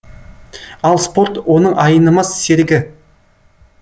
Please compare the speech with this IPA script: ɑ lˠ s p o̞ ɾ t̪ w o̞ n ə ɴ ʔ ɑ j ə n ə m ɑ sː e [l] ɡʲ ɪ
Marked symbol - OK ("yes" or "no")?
no